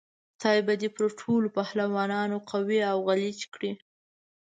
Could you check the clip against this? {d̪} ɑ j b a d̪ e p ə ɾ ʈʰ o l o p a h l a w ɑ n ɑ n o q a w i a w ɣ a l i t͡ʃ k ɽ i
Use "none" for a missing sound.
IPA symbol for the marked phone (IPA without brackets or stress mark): t̪